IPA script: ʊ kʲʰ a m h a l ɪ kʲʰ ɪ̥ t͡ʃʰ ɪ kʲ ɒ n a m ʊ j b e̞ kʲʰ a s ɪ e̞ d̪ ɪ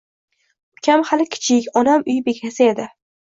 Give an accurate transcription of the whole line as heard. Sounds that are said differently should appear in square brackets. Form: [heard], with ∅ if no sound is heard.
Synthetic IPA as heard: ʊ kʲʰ a m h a l ɪ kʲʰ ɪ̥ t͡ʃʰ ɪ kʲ ɒ n a m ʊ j b e̞ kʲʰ a s ɪ e̞ d̪ ɪ

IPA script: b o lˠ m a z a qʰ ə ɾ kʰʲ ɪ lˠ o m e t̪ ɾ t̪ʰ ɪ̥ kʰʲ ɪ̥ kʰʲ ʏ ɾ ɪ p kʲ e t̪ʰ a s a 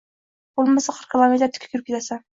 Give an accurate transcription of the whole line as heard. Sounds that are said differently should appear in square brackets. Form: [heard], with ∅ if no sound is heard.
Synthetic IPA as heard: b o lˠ m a [s] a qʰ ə ɾ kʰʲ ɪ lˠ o m e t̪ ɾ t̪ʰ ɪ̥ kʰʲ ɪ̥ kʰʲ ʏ ɾ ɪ p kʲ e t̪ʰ a s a

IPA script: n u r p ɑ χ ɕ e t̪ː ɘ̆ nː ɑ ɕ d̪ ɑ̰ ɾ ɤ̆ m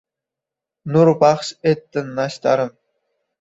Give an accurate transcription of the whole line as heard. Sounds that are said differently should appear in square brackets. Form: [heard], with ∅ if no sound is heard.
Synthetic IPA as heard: n u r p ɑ χ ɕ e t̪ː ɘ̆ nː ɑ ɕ [t̪] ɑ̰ ɾ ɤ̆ m

